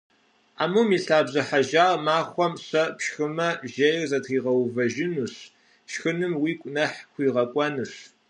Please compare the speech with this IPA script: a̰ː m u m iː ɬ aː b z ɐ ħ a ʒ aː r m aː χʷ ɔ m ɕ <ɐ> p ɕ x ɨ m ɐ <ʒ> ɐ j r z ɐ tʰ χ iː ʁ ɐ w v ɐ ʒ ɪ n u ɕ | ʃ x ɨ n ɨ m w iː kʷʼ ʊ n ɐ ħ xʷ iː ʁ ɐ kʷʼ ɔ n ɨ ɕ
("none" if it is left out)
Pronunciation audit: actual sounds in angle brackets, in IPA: ɐ, ʒ

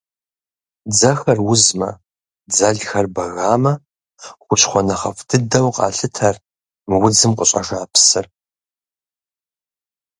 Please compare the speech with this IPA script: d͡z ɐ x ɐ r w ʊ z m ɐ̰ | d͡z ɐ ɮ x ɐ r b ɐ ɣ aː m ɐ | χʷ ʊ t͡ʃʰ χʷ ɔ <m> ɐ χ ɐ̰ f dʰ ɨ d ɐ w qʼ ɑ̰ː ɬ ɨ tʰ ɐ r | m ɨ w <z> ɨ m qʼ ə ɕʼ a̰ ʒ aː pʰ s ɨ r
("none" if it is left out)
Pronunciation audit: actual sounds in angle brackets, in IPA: n, d͡z

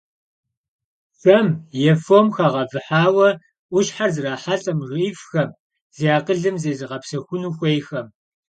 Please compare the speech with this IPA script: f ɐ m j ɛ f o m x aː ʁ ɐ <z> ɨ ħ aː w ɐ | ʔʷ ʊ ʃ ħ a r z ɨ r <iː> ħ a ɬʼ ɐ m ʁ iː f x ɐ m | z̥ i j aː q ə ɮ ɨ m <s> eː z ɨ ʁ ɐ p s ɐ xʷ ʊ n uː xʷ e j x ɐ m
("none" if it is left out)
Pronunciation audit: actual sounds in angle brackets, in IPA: v, aː, z

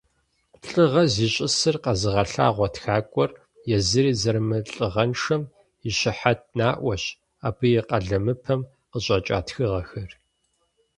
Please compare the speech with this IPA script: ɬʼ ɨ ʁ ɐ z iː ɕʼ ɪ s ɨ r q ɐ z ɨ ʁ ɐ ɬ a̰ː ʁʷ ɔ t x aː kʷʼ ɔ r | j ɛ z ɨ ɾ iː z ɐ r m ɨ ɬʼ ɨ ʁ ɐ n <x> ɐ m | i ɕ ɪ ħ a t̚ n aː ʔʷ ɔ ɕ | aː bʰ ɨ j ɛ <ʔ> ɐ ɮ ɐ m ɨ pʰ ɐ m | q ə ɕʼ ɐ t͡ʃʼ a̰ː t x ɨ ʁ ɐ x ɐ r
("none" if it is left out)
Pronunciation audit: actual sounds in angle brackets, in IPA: ʂ, q

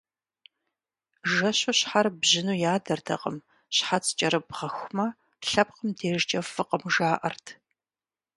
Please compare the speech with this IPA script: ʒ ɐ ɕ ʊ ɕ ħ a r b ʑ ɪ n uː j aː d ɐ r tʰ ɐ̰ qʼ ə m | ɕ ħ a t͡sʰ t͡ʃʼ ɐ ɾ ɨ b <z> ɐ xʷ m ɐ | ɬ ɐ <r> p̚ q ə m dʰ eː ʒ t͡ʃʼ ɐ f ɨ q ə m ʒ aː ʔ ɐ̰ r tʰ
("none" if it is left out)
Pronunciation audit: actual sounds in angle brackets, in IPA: ʁ, none

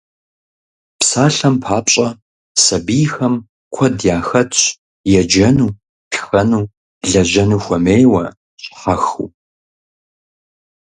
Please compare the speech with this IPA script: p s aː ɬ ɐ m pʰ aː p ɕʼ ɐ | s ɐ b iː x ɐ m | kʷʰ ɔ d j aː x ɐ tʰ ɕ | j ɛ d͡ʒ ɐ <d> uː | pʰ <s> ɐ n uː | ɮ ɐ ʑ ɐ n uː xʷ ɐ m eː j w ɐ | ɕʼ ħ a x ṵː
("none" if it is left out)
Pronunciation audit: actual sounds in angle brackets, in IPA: n, x

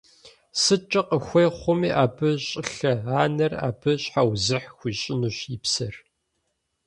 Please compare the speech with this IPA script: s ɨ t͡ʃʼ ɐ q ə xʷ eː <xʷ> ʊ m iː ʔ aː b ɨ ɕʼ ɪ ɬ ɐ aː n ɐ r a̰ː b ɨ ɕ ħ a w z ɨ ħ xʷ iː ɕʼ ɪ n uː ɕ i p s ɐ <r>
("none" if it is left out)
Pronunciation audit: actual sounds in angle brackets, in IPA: χʷ, r

